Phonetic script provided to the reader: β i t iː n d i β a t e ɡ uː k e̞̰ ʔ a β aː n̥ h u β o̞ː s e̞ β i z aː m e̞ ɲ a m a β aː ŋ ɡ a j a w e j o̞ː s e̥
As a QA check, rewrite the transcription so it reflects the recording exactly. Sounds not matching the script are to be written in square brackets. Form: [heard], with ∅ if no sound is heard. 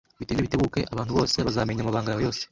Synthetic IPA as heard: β i t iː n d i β [i] t e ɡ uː k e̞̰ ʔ a β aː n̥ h u β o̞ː s e̞ β [a] z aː m e̞ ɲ a m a β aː ŋ ɡ a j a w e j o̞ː s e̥